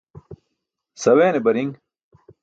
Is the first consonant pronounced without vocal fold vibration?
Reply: yes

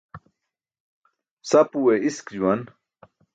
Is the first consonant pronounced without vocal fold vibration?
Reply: yes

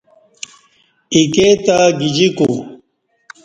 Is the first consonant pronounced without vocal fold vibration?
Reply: yes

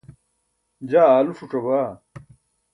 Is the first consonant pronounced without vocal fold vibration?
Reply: no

